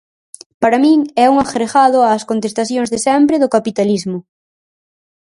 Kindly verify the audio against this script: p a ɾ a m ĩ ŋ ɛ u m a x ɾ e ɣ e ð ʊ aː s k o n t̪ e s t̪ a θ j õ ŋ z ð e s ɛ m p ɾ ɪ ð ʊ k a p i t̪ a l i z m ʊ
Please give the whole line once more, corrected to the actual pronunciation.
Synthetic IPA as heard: p a ɾ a m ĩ ŋ ɛ u ŋ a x ɾ e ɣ a ð ʊ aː s k o n t̪ e s t̪ a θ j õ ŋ z ð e s ɛ m p ɾ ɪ ð ʊ k a p i t̪ a l i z m ʊ